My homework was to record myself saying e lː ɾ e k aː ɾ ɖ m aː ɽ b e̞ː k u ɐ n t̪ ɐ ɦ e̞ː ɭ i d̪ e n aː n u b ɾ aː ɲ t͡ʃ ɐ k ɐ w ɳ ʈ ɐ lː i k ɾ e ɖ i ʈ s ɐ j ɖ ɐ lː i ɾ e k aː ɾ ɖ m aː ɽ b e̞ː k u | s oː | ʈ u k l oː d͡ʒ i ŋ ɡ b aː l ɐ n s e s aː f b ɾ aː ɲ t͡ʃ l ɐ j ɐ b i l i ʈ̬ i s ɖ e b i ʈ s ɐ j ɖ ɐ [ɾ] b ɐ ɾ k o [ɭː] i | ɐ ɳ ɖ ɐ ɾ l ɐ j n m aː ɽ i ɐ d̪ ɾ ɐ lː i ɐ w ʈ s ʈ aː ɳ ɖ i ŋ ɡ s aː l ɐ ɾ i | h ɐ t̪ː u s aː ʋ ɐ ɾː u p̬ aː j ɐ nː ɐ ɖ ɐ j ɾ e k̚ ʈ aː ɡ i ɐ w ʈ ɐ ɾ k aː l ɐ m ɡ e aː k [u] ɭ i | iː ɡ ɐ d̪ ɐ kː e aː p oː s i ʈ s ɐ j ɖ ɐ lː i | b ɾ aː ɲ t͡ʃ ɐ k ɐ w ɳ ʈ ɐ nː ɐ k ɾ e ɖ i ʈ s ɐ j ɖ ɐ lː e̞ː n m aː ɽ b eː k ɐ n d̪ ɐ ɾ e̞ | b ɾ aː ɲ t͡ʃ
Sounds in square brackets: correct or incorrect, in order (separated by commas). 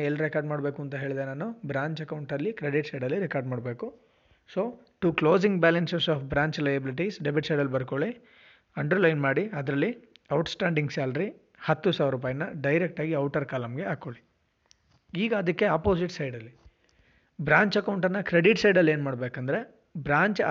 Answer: incorrect, incorrect, incorrect